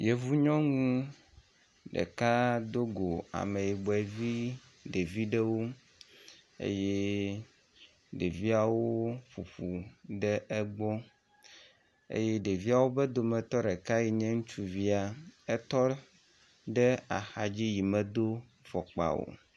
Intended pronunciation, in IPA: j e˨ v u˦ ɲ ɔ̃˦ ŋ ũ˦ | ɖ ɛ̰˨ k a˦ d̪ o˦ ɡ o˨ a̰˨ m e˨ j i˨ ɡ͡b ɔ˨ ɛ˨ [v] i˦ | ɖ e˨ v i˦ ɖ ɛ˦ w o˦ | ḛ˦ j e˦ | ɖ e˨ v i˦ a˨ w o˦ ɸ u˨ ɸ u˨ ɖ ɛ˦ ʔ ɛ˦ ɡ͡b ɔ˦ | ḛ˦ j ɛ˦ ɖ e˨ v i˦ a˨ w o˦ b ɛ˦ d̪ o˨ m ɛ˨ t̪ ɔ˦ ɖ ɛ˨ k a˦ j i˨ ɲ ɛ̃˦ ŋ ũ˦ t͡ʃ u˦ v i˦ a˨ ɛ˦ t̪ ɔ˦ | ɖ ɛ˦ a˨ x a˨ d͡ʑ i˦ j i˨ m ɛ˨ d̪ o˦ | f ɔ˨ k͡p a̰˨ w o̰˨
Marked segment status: correct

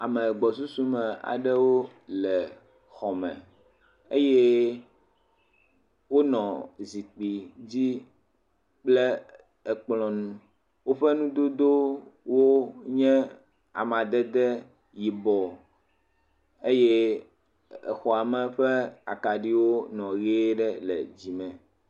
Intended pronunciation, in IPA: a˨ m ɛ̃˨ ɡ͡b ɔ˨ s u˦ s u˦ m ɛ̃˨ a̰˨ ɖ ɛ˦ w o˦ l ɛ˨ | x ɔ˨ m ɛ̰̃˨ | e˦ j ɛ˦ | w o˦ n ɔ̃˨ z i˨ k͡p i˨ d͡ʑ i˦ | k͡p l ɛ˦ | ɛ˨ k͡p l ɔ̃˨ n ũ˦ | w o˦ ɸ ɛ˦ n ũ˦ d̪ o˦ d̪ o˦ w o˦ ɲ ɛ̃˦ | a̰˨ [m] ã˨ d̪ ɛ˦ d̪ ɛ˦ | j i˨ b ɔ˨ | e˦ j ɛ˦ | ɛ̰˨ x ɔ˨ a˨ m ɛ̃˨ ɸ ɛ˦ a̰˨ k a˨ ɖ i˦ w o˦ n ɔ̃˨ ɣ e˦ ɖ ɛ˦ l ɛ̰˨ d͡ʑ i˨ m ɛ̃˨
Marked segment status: correct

